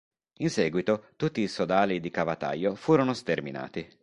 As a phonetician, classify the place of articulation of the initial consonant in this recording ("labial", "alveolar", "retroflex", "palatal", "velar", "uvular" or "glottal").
alveolar